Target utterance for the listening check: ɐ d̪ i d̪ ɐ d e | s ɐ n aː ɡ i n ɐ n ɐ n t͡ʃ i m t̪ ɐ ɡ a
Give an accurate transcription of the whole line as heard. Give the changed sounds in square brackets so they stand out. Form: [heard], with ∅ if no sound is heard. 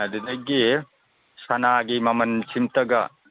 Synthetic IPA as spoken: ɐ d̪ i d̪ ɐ [ɡ] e | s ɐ n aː ɡ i [m] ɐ [m] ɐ n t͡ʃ i m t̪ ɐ ɡ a